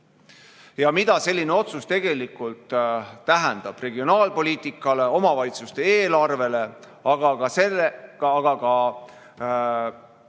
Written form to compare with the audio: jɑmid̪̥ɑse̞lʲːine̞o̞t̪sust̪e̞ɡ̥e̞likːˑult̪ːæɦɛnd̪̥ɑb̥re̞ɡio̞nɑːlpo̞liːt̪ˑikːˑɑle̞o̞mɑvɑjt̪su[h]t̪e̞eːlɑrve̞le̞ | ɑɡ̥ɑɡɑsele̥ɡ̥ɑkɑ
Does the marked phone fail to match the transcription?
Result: yes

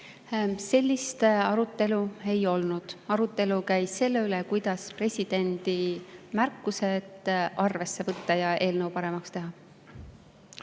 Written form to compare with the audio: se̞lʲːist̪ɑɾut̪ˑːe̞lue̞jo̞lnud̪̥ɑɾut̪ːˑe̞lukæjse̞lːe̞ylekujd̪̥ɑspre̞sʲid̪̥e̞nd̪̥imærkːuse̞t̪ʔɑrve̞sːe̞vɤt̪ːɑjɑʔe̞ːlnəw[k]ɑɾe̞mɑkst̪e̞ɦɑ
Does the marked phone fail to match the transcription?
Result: yes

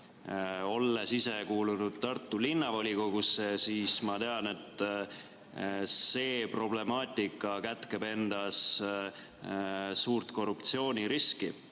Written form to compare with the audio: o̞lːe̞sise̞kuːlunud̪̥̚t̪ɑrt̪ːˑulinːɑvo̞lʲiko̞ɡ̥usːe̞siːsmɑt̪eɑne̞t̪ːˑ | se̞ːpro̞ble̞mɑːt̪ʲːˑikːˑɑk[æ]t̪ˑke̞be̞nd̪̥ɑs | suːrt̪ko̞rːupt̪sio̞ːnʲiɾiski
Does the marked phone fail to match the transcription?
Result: no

